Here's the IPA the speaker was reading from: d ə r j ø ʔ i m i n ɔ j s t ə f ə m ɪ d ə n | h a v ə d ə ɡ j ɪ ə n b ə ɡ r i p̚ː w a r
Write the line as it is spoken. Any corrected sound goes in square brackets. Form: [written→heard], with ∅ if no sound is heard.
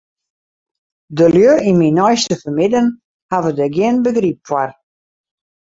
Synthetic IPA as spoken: d ə [r→l] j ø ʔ i m i n ɔ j s t ə f ə m ɪ d ə n | h a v ə d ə ɡ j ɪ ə n b ə ɡ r i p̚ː w a r